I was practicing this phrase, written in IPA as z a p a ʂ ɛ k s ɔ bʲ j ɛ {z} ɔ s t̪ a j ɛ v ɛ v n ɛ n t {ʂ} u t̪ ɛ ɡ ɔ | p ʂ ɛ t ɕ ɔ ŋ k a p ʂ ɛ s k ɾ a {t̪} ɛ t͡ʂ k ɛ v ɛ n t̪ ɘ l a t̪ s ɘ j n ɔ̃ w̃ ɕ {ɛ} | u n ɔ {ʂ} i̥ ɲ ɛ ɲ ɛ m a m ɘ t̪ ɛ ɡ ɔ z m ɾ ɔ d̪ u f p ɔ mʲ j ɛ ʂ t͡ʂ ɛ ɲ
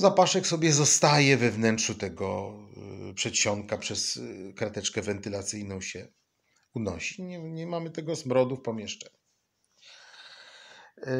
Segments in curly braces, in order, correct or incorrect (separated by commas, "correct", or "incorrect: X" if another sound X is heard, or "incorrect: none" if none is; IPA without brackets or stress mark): correct, correct, correct, correct, incorrect: ɕ